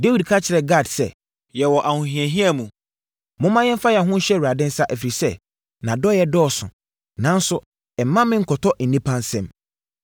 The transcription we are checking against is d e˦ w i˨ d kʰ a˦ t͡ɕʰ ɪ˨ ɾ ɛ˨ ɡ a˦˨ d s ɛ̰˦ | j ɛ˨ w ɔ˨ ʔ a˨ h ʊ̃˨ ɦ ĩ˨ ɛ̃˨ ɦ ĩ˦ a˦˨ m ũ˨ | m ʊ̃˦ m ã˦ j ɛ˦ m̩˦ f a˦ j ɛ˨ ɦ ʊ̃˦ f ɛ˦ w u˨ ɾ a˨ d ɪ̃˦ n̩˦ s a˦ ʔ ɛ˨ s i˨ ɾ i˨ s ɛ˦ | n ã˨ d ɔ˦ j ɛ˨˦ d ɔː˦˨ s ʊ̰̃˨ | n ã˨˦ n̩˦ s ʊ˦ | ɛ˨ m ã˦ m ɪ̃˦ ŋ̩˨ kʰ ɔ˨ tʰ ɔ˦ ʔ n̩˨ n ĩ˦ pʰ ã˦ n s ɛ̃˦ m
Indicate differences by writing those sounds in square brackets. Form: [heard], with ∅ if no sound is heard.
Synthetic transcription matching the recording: d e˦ w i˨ d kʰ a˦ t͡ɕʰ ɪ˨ ɾ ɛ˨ ɡ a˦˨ d s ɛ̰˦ | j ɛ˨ w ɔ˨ ʔ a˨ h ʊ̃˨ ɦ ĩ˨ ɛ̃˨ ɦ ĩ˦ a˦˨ m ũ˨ | m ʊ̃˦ m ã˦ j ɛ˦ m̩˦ f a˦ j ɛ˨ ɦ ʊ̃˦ [ɕ] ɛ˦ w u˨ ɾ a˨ d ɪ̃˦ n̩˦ s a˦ ʔ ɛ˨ [f] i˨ ɾ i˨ s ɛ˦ | n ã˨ d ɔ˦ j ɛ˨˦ d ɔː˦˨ s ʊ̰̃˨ | n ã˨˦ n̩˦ s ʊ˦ | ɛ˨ m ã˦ m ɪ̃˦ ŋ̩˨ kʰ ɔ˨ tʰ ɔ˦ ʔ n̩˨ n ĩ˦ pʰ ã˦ n s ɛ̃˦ m